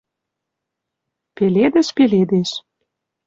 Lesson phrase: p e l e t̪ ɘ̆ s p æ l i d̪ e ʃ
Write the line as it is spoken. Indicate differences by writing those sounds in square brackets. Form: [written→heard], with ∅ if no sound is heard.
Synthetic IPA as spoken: p e l e [t̪→d̪] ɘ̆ [s→ʃ] p [æ→e] l [i→e] d̪ e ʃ